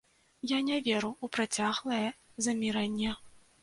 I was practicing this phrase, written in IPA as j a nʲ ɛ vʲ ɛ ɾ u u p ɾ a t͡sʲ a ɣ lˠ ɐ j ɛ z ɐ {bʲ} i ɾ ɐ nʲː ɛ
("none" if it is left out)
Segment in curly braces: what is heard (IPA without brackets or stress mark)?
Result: mʲ